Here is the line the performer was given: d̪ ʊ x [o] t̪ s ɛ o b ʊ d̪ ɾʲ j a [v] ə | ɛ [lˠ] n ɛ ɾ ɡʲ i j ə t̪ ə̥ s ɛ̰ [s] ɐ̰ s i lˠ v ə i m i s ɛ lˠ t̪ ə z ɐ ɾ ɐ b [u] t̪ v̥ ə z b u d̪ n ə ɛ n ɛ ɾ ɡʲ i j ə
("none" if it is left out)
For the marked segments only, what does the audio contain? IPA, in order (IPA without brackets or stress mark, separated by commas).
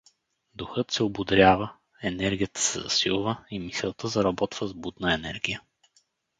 ɤ, v, none, z, ɔ